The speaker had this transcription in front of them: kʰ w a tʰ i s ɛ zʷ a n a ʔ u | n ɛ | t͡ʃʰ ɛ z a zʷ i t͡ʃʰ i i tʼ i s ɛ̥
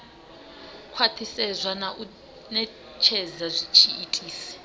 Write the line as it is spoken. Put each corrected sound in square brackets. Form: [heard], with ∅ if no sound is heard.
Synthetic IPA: kʰ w a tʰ i s ɛ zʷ a n a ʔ u | n ɛ | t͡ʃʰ ɛ z a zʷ i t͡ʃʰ i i tʼ [iː] s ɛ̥